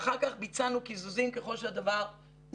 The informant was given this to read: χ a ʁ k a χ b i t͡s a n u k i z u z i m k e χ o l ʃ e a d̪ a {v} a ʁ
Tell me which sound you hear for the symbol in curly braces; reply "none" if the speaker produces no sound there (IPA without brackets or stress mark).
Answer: v